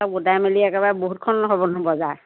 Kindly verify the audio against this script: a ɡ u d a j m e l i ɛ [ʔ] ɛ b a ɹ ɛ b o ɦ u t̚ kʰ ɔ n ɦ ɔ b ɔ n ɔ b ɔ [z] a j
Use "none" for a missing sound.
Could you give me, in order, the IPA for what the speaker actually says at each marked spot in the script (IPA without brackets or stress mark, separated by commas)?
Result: k, z